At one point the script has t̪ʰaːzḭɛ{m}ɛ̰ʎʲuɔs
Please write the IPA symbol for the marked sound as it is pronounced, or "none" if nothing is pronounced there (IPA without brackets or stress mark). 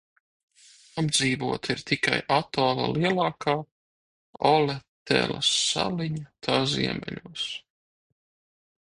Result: m